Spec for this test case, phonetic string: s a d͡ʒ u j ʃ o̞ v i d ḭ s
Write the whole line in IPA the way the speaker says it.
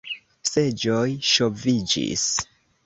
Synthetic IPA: s e d͡ʒ o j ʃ o̞ v i d͡ʒ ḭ s